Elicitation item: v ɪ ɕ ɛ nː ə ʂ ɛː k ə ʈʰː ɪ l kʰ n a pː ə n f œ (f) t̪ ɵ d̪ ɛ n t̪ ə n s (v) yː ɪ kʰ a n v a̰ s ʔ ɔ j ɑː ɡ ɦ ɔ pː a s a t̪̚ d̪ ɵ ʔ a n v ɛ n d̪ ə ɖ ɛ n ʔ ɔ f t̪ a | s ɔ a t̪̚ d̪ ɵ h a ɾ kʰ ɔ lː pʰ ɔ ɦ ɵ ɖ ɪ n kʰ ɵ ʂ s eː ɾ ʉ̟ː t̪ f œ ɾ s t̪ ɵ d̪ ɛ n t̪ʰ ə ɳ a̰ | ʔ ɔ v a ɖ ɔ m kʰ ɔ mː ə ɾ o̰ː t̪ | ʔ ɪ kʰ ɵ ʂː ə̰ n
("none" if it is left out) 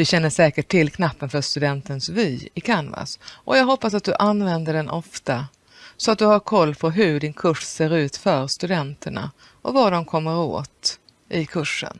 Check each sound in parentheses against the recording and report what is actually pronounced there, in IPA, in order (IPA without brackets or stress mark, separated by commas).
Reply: ʂ, v